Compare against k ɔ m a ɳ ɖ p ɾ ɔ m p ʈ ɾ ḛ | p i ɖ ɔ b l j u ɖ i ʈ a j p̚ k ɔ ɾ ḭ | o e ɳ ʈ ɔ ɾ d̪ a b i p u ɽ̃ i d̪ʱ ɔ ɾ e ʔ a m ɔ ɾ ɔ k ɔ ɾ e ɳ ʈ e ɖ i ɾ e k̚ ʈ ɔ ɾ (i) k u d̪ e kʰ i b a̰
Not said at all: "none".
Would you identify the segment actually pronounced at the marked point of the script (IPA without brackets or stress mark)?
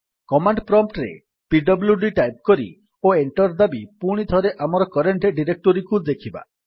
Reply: i